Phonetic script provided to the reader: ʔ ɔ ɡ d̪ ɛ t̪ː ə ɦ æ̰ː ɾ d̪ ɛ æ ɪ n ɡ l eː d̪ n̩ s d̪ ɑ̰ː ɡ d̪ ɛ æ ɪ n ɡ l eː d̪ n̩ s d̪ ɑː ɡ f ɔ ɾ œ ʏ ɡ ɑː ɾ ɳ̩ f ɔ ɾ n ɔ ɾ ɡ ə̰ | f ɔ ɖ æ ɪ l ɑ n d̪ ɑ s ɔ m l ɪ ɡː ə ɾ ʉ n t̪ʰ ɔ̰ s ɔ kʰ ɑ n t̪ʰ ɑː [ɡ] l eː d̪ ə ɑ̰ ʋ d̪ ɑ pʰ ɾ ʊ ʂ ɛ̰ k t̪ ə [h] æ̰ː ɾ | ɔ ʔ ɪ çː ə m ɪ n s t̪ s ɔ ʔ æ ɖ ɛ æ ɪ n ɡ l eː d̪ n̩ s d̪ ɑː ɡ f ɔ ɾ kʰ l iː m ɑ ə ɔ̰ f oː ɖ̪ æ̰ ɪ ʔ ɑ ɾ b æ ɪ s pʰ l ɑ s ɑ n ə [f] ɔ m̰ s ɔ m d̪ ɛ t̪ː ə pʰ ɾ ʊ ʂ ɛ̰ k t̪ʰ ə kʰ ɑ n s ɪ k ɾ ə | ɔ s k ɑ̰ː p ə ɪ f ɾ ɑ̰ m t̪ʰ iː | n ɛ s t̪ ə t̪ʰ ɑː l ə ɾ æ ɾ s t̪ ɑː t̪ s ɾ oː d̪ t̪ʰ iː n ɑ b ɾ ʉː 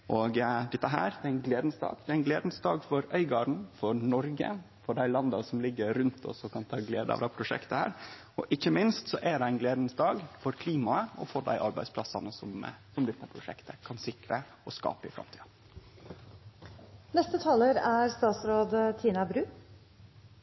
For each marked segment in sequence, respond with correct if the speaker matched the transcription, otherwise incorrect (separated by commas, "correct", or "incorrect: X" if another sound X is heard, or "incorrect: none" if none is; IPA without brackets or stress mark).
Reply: correct, correct, incorrect: s